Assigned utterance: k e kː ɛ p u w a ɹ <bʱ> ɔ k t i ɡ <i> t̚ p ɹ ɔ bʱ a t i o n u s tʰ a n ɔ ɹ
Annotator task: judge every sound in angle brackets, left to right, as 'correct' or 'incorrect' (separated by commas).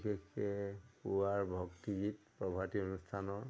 correct, correct